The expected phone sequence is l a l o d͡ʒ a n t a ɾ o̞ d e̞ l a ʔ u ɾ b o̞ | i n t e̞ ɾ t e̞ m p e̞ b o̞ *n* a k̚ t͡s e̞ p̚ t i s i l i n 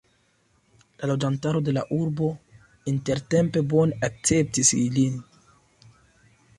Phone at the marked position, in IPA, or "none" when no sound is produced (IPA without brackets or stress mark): n